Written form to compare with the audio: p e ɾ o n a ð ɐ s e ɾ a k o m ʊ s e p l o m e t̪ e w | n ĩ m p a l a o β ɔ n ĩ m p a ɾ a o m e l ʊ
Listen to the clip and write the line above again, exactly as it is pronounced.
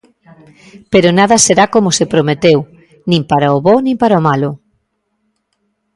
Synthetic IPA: p e ɾ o n a ð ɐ s e ɾ a k o m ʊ s e p ɾ o m e t̪ e w | n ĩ m p a ɾ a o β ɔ n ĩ m p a ɾ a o m a l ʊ